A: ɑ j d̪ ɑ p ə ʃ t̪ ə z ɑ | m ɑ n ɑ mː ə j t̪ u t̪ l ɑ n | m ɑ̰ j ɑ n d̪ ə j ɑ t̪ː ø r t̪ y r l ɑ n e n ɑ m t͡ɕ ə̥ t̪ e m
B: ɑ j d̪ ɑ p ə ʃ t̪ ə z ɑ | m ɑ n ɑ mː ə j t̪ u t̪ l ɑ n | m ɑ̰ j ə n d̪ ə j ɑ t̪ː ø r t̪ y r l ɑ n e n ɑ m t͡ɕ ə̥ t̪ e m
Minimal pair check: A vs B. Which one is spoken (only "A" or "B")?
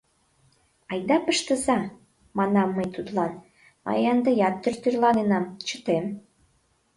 A